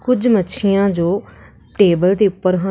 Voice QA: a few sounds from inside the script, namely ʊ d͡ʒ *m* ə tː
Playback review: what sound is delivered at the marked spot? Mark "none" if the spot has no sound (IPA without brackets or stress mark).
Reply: m